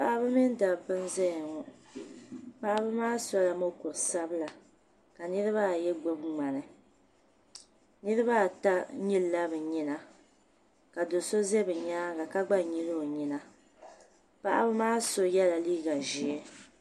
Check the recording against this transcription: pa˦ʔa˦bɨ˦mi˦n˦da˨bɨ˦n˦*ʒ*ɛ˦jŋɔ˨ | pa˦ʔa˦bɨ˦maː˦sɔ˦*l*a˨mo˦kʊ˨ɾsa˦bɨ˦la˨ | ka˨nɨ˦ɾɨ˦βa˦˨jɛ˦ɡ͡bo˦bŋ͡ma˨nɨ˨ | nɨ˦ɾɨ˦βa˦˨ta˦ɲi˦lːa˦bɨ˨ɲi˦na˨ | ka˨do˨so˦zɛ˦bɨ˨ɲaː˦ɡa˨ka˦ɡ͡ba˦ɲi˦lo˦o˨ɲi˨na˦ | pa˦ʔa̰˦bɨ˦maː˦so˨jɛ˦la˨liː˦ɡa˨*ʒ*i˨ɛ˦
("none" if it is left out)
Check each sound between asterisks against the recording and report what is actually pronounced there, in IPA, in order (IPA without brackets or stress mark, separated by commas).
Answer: z, l, ʒ